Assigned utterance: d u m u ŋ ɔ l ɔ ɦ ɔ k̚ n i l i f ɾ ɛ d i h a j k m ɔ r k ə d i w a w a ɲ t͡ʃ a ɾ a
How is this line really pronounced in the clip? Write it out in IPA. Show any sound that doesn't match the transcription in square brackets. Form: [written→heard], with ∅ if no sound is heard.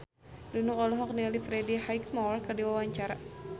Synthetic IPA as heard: d u [m→n] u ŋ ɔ l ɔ ɦ ɔ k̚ n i l i f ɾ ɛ d i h a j k m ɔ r k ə d i w a w a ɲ t͡ʃ a ɾ a